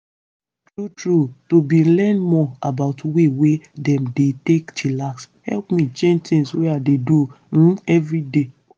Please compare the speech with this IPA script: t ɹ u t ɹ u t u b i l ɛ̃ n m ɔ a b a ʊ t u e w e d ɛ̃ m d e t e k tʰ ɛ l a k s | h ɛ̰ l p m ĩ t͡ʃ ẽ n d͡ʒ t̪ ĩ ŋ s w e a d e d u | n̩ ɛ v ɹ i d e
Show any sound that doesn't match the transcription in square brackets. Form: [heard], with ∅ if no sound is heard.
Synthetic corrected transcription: t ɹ u t ɹ u t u b i l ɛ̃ n m ɔ a b a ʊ t [w] e w e d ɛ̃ m d e t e k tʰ [i] l a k s | h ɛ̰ l p m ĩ t͡ʃ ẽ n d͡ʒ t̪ ĩ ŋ s w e a d e d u | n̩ ɛ v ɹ i d e